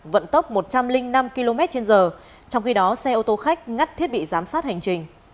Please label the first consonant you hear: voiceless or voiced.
voiced